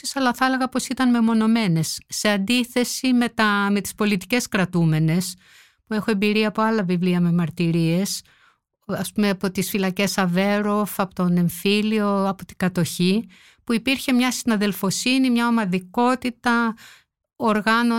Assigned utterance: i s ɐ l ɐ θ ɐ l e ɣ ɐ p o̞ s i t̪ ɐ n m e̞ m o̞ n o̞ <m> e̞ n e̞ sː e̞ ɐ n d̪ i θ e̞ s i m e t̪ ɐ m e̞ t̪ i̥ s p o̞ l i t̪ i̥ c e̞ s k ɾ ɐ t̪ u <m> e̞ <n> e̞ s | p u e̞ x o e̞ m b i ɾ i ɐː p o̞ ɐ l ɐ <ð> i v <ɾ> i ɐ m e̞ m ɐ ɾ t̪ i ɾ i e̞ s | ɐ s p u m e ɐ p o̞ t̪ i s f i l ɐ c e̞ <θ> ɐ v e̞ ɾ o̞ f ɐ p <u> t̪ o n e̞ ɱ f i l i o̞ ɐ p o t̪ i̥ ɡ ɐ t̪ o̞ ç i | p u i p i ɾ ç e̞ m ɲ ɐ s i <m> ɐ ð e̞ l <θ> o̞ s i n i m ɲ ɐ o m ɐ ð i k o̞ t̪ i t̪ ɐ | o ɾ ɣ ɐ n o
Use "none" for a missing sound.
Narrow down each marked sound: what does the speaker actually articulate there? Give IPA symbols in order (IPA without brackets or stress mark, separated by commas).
m, m, n, v, l, s, o, n, f